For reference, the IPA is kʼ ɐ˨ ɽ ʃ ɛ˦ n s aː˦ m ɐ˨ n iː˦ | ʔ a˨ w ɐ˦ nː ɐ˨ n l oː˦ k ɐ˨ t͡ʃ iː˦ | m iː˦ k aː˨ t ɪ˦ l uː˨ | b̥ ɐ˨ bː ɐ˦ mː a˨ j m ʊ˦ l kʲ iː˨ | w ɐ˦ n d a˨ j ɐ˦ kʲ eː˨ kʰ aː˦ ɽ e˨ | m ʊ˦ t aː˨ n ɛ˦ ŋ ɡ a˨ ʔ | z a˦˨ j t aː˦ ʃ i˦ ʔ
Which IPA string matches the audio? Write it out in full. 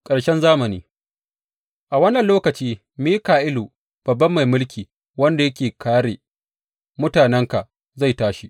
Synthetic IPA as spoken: kʼ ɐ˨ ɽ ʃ ɛ˦ n z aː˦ m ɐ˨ n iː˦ | ʔ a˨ w ɐ˦ nː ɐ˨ n l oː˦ k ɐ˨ t͡ʃ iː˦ | m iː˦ k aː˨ ʔ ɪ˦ l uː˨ | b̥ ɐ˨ bː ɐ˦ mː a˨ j m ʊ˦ l kʲ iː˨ | w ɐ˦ n d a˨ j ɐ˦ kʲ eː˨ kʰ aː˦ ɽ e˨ | m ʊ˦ t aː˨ n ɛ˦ ŋ k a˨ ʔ | z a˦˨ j t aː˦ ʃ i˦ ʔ

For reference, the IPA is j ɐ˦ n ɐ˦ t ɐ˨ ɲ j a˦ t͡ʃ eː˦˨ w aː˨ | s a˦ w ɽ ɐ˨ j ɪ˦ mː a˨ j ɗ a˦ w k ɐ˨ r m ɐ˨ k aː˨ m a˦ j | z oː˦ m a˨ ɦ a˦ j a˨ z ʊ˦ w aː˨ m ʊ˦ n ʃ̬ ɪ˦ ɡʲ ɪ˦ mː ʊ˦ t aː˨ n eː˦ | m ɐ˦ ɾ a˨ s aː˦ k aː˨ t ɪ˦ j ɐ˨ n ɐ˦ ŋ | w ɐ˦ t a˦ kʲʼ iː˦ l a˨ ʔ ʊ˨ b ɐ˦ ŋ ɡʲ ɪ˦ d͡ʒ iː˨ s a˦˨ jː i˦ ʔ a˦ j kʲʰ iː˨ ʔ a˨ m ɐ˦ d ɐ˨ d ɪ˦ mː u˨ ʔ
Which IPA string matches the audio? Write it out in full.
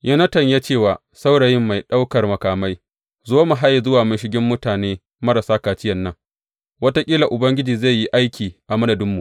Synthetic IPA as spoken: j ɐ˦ n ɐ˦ t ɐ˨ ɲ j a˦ t͡ʃ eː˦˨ w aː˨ | s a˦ w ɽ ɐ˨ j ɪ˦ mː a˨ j ɗ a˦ w k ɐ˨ r m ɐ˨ k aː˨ m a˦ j | z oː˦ m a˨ ɦ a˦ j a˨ z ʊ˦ w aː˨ m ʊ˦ n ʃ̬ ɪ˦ ɡʲ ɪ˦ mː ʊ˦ t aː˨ n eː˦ | m ɐ˦ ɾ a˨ s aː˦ k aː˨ t͡ʃ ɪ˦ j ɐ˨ nː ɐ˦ ŋ | w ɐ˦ t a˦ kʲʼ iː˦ l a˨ ʔ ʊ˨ b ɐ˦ ŋ ɡʲ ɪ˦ d͡ʒ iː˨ z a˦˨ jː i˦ ʔ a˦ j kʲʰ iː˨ ʔ a˨ m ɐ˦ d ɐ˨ d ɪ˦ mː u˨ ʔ

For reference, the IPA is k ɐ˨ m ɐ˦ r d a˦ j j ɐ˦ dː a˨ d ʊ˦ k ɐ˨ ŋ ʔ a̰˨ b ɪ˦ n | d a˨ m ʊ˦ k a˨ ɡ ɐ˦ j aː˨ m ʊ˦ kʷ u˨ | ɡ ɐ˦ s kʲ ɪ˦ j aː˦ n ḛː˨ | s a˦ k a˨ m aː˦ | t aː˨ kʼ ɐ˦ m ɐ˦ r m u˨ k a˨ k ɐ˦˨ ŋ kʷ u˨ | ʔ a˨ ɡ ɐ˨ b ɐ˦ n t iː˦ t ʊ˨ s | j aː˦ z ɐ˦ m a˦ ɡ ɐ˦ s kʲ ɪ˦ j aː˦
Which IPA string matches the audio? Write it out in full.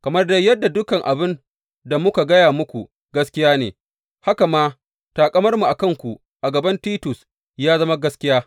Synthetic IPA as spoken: k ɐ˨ m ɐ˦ r d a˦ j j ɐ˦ dː a˨ d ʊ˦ k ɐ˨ ŋ ʔ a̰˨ b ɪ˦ n | d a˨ m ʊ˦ k a˨ ɡ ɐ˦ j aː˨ m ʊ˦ kʷ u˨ | ɡ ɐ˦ s kʲ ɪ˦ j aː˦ n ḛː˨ | h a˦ k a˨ m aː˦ | t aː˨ kʼ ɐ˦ m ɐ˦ r m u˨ ʔ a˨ k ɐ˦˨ ŋ kʷ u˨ | ʔ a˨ ɡ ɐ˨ b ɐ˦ n t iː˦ t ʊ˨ s | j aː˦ z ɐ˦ m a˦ ɡ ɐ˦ s kʲ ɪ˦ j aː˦

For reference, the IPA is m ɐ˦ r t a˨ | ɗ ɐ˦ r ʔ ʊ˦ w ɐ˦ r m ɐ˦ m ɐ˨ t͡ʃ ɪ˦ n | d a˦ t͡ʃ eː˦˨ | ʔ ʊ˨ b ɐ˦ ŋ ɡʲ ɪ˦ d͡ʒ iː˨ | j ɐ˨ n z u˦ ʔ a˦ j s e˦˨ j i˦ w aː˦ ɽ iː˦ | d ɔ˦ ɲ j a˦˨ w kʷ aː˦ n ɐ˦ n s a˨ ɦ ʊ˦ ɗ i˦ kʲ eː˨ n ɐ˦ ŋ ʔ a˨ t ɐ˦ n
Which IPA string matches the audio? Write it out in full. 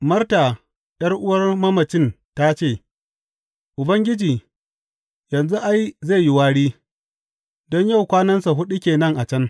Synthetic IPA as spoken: m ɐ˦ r t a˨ | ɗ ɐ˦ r ʔ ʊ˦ w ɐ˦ r m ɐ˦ m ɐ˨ t͡ʃ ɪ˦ n | t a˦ t͡ʃ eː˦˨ | ʔ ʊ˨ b ɐ˦ ŋ ɡʲ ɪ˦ d͡ʒ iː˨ | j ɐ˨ n z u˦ ʔ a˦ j z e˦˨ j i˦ w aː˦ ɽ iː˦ | d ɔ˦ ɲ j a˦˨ w kʷ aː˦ n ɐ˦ n s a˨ ɦ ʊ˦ ɗ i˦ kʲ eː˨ n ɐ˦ ŋ ʔ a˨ t͡ʃ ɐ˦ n

